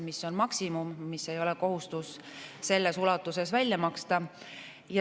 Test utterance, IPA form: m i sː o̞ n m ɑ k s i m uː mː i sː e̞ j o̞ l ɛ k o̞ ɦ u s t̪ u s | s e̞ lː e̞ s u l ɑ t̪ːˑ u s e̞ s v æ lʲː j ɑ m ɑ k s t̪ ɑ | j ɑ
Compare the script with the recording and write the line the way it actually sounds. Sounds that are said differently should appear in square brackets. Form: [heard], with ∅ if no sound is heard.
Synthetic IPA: m i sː o̞ n m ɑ k s i m [u] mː i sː e̞ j o̞ l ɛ k o̞ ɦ u s t̪ u s | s e̞ lː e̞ s u l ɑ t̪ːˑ u s e̞ s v æ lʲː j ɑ m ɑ k s t̪ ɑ | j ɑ